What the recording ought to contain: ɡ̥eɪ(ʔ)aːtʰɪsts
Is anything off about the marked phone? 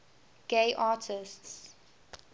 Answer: no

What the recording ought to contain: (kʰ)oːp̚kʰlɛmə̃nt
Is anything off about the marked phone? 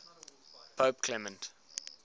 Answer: yes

